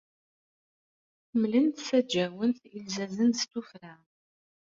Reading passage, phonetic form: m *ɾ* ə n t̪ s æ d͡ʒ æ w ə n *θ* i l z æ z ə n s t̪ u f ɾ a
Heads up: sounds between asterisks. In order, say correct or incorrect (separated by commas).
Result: incorrect, correct